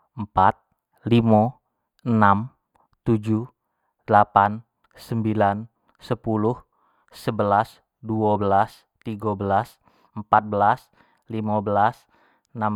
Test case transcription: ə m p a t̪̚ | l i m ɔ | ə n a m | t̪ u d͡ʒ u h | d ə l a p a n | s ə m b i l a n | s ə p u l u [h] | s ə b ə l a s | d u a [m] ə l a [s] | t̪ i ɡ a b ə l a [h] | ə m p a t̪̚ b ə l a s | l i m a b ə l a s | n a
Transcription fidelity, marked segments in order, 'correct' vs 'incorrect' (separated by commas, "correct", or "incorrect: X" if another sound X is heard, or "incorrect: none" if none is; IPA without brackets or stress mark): correct, incorrect: b, correct, incorrect: s